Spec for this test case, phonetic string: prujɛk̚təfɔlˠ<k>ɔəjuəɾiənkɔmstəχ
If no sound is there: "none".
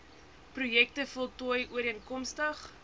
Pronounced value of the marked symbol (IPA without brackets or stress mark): t